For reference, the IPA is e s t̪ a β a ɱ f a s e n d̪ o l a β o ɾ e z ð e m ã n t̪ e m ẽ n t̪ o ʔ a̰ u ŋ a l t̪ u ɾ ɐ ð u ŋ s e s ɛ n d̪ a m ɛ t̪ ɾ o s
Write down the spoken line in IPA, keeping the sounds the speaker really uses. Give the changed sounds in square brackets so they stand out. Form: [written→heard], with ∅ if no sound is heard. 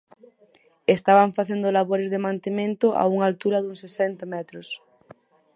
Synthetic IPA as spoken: e s t̪ a β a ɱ f a [s→θ] e n d̪ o l a β o ɾ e z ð e m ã n t̪ e m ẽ n t̪ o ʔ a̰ u ŋ a l t̪ u ɾ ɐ ð u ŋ s e s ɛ n [d̪→t̪] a m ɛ t̪ ɾ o s